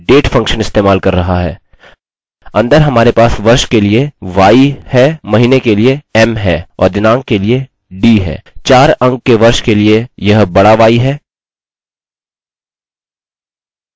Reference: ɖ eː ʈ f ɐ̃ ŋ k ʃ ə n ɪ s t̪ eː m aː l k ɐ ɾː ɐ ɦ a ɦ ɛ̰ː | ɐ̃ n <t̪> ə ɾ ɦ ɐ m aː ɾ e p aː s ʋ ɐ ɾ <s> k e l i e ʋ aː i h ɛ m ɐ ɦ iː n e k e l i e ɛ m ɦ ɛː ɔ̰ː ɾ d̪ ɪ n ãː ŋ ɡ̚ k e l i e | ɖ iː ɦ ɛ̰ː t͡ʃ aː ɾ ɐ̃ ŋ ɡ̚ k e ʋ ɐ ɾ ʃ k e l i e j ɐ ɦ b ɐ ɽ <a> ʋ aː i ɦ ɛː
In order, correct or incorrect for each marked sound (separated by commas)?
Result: incorrect, incorrect, correct